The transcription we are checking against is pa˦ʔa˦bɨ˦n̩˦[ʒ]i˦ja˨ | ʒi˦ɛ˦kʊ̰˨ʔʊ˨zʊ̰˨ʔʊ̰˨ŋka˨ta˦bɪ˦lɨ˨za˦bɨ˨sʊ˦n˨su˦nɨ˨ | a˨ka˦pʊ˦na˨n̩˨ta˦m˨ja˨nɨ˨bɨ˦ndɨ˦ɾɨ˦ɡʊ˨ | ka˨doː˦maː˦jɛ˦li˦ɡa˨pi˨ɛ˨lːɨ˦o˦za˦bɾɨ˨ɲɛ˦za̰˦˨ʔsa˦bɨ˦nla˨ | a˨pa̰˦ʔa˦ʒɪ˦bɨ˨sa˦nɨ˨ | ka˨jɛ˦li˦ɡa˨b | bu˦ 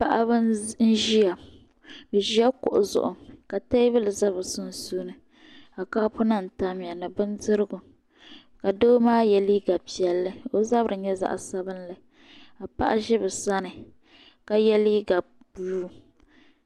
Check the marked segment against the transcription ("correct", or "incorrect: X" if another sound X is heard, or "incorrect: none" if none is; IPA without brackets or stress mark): correct